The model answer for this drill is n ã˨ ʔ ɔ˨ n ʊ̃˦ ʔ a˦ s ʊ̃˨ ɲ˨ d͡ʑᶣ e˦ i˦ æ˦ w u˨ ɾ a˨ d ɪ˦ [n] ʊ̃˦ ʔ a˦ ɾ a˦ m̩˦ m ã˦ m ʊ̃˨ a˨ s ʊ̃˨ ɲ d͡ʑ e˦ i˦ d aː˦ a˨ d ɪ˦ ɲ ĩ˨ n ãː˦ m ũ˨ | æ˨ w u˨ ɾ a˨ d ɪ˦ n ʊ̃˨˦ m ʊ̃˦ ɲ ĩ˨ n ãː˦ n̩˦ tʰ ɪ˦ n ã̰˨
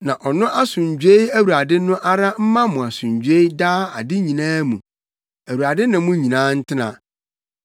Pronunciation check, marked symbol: correct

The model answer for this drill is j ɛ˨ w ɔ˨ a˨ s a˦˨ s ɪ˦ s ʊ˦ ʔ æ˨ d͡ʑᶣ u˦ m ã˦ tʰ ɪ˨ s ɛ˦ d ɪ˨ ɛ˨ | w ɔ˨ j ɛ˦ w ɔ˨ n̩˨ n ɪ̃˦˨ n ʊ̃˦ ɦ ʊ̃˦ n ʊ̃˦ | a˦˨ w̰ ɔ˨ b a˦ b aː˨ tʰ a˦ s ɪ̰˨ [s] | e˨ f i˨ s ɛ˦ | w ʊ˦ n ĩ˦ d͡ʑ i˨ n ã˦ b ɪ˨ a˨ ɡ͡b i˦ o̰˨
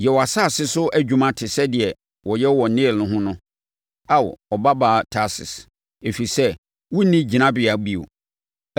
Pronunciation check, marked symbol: correct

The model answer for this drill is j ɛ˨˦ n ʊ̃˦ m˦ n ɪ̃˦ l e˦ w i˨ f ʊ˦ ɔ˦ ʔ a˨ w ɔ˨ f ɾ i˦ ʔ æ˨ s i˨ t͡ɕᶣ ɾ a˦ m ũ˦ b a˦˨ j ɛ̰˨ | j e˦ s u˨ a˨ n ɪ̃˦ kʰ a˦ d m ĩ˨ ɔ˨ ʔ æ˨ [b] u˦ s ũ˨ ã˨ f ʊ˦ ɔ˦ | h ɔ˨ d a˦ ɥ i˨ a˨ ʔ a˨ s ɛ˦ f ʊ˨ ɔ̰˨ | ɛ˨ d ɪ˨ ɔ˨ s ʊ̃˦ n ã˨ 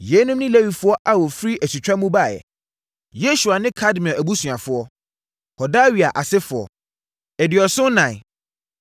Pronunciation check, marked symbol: correct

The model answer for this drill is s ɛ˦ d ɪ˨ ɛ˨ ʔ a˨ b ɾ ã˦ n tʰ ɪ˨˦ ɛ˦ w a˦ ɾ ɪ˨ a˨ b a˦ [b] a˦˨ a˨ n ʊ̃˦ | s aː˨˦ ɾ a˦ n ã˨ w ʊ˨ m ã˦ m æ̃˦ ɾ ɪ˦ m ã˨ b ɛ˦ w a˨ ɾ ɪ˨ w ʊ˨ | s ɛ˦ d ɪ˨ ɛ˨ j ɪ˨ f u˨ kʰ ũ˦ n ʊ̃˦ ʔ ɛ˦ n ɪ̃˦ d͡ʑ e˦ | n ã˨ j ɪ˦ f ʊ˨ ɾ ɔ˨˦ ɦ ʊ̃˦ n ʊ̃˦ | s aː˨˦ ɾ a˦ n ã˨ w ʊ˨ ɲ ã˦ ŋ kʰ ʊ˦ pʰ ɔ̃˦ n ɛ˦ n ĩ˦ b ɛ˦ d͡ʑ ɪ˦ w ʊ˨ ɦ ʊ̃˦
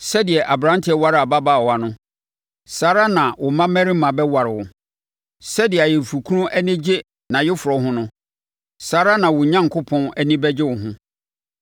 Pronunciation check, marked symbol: correct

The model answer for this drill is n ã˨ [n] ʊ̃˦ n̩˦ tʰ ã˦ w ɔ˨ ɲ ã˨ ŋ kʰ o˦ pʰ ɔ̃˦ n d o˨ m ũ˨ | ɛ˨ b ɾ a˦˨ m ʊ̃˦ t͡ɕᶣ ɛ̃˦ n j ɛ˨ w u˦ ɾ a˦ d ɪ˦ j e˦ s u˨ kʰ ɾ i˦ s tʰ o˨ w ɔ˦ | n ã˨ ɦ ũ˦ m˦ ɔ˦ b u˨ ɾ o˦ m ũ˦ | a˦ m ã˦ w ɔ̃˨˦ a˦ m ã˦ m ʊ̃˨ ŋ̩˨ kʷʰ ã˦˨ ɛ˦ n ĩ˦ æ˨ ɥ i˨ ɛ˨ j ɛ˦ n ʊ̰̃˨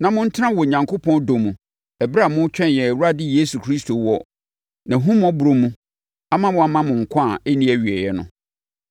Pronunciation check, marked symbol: incorrect: m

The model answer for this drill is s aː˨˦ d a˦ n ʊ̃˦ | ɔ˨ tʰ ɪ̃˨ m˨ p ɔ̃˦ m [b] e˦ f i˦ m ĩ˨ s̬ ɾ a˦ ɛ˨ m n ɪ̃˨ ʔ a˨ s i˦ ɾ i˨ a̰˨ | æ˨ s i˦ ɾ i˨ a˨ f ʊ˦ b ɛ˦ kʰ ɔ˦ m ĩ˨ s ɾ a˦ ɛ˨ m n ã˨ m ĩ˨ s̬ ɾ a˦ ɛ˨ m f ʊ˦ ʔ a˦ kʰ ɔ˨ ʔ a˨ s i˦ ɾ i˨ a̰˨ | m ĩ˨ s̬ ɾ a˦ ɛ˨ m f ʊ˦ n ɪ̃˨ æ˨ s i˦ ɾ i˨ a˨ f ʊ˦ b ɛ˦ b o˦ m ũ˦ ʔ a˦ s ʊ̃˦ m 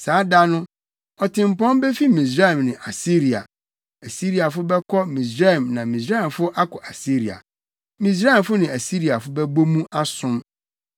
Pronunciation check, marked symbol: correct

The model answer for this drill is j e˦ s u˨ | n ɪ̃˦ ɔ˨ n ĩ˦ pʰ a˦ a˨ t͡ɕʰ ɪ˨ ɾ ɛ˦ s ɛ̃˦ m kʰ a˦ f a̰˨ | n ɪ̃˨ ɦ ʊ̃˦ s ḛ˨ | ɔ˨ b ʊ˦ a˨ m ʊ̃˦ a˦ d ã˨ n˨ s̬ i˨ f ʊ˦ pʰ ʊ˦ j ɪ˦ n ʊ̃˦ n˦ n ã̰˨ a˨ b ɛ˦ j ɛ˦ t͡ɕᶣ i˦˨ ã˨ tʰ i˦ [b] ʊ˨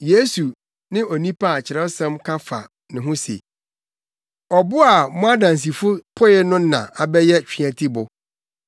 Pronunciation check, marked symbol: correct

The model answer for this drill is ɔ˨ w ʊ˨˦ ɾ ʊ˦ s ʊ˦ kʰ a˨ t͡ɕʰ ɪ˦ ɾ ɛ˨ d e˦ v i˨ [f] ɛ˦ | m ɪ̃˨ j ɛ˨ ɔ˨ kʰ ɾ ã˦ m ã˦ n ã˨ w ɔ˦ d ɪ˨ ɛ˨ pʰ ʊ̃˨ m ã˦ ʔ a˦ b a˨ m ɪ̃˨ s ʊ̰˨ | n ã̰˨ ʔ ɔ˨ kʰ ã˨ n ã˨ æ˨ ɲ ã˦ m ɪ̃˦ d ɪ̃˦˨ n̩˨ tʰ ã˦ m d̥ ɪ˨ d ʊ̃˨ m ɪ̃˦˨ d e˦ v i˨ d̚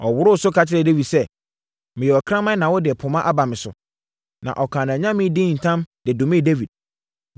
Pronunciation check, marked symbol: incorrect: s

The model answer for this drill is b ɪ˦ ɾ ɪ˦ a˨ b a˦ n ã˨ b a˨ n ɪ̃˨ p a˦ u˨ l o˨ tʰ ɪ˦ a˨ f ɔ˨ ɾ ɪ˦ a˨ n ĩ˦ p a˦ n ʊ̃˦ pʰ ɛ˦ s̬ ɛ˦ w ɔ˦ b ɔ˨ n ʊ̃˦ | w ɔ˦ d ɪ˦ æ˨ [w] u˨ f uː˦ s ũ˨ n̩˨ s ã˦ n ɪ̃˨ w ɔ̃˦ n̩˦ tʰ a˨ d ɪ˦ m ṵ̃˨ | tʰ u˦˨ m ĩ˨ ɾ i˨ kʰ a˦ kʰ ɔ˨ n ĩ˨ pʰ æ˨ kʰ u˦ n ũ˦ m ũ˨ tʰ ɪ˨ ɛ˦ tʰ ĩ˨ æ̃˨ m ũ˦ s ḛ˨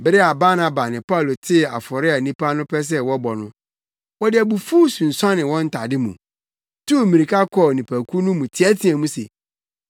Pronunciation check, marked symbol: incorrect: b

